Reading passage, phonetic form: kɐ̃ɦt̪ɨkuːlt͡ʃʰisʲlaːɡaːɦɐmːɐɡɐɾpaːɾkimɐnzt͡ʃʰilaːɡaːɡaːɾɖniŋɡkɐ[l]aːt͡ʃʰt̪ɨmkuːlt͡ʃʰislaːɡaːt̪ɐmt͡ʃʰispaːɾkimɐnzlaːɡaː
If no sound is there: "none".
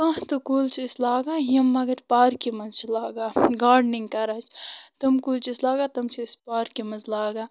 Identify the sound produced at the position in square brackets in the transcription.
ɾ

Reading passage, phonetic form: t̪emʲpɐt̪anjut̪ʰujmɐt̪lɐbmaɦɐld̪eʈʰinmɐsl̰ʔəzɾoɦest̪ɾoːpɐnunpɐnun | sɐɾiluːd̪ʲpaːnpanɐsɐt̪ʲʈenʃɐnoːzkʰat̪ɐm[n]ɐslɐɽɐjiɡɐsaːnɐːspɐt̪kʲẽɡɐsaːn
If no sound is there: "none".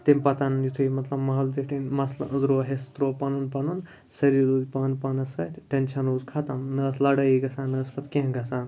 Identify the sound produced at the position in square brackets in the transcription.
n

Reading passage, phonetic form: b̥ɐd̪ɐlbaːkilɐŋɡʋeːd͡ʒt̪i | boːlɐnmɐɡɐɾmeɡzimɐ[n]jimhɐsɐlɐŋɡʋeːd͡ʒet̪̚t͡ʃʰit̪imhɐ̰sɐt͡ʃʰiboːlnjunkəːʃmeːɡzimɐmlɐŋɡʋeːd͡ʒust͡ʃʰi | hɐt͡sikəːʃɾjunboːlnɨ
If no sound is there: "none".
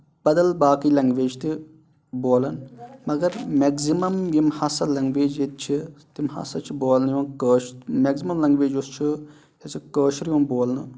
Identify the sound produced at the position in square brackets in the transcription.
m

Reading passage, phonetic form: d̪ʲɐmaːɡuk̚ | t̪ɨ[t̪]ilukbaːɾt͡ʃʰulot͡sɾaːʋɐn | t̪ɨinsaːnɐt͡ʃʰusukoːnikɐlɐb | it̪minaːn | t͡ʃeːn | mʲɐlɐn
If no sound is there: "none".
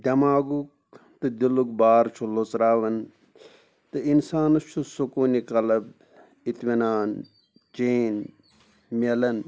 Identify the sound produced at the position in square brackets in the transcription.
d̪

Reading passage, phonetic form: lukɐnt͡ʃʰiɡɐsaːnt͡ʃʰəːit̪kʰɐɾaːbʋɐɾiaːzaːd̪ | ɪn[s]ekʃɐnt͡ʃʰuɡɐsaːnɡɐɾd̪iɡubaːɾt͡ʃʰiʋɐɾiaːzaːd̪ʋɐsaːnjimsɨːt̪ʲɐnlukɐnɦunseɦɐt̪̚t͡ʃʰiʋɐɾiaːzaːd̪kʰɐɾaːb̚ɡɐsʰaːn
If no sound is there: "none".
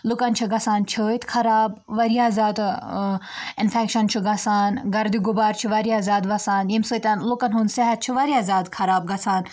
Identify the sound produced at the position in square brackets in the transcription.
f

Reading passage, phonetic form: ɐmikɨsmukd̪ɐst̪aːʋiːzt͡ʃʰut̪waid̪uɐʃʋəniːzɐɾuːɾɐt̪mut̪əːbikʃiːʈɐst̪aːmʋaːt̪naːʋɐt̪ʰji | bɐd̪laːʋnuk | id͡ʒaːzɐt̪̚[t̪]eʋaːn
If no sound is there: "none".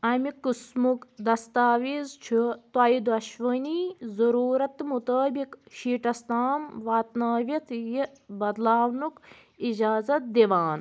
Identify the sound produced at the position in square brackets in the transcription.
d̪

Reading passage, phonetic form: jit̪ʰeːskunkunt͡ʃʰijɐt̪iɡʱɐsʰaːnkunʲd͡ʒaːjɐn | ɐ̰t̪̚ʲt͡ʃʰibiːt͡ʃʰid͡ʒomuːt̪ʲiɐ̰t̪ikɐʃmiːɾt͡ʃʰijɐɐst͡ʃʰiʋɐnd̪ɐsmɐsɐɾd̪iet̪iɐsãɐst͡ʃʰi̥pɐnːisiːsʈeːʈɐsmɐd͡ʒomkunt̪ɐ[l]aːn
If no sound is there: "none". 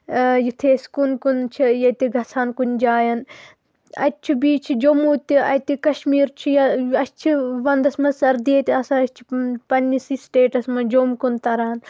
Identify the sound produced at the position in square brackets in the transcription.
ɾ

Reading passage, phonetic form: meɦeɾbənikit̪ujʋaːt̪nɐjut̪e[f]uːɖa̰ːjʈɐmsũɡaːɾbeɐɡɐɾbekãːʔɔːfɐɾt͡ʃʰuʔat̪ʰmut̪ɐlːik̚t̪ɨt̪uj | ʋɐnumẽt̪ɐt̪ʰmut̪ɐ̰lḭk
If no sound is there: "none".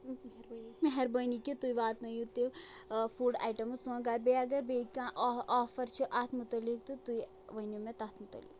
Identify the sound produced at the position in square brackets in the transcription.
f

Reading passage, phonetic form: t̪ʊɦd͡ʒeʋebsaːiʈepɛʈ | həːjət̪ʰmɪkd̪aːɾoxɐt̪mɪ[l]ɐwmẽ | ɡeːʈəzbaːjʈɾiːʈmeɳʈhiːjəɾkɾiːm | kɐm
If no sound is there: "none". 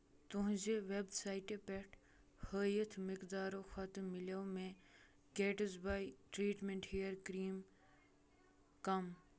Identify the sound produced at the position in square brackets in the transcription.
l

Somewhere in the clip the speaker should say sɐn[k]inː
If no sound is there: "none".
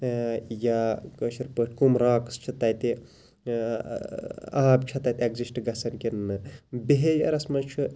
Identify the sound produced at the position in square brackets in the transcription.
k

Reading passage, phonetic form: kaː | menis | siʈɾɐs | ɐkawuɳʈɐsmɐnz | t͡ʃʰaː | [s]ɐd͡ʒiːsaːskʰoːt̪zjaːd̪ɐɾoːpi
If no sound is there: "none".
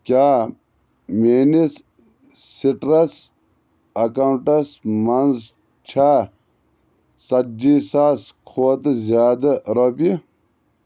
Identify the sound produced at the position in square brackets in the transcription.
s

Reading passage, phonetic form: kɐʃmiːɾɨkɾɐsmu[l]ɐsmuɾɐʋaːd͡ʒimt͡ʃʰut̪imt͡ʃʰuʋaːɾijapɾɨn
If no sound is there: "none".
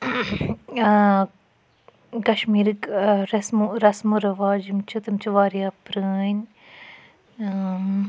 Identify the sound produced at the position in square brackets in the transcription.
ɾ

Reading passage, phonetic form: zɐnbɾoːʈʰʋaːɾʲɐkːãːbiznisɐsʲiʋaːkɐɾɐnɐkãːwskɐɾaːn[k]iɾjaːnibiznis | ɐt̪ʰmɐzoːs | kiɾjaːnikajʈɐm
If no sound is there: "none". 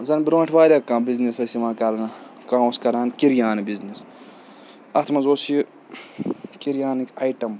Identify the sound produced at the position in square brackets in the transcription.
k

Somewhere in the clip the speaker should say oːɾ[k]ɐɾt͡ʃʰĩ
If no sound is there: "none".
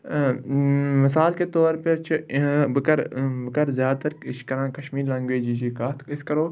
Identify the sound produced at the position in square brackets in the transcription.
p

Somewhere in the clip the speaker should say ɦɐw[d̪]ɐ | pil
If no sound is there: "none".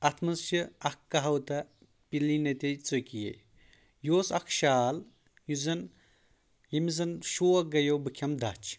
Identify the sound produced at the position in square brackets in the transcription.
t̪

